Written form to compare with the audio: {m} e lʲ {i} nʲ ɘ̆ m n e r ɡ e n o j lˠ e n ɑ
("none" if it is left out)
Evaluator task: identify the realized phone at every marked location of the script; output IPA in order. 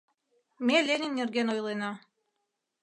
m, e

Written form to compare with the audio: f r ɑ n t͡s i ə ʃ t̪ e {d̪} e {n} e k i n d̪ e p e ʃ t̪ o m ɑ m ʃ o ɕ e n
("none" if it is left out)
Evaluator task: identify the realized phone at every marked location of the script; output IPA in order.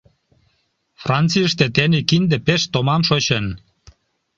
t̪, n

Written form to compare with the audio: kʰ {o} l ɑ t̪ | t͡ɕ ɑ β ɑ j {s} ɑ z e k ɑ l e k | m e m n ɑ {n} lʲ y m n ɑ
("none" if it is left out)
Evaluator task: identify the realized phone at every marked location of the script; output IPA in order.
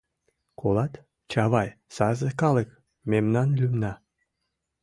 o, s, n

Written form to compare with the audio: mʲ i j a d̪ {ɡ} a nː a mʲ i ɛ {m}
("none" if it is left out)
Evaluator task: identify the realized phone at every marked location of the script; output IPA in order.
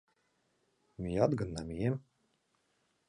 ɡ, m

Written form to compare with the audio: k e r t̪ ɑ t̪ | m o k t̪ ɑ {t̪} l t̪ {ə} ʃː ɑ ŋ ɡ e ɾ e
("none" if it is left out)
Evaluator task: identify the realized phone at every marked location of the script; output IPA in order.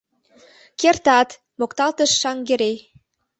none, ə

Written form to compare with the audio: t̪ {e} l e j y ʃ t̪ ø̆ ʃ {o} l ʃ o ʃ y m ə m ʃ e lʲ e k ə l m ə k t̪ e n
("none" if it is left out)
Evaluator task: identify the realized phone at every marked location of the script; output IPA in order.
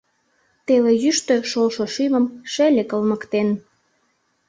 e, o

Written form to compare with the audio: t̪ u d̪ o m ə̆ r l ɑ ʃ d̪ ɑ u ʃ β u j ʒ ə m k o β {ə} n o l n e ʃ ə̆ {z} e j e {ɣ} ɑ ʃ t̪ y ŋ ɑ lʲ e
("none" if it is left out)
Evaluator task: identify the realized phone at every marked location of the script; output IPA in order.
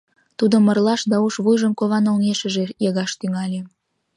ɑ, ʒ, ɣ

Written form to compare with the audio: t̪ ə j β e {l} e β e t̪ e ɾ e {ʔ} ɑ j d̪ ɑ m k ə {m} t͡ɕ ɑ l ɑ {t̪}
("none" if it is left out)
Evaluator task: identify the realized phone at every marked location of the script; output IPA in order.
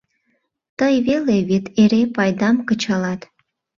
l, p, none, t̪

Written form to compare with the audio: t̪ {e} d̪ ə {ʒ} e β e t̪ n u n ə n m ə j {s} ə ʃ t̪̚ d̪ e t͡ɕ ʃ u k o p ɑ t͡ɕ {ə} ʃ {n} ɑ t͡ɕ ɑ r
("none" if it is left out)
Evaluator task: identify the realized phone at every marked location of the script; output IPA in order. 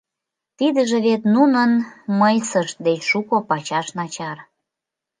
i, ʒ, s, ɑ, n

